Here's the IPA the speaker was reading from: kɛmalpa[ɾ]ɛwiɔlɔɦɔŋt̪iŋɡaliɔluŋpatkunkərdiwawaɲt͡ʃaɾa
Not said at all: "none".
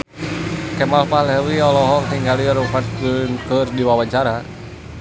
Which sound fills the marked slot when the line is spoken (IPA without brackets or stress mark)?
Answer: l